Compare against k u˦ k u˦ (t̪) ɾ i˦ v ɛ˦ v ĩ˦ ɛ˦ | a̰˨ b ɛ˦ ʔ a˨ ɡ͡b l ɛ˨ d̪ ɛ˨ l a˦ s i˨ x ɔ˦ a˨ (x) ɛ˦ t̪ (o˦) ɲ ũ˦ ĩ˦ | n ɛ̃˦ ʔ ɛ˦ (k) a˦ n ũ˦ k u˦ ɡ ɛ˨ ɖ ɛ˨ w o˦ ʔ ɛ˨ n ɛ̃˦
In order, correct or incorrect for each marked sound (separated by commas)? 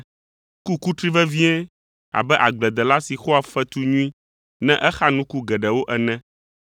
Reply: correct, incorrect, incorrect, incorrect